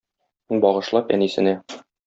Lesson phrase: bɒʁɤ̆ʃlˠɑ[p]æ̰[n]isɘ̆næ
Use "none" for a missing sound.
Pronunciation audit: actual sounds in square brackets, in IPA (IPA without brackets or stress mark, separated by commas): p, n